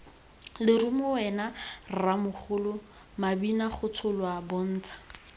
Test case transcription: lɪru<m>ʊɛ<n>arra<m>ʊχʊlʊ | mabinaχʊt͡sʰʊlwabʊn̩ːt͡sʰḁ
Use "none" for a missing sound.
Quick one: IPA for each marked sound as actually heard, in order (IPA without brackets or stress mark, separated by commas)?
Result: m, n, m